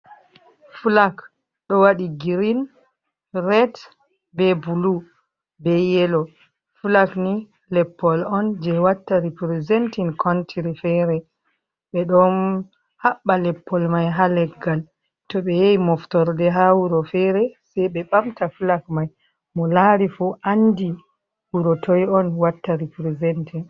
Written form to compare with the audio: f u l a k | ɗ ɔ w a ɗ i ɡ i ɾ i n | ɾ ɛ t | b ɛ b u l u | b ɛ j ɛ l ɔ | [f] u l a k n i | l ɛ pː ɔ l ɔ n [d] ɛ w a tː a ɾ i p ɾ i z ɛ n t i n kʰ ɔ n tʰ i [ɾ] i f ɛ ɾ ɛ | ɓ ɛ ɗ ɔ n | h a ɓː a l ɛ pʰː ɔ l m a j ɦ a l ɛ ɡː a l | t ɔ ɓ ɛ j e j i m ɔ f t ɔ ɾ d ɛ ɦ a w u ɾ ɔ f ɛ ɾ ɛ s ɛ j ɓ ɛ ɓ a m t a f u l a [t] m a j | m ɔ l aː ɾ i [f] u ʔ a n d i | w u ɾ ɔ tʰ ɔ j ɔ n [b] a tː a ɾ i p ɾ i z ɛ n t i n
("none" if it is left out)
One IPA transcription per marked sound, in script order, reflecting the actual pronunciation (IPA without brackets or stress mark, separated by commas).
f, d͡ʒ, ɾ, k, f, w